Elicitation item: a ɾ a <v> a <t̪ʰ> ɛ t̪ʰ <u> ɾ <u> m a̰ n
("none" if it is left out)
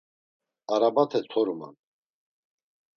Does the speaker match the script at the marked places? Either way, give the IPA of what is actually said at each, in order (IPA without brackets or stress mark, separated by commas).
b, t̪ʰ, ɔ, u